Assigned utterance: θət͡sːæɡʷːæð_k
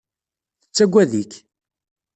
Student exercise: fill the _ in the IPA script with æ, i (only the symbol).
i